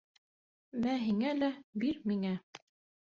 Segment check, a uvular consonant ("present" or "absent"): absent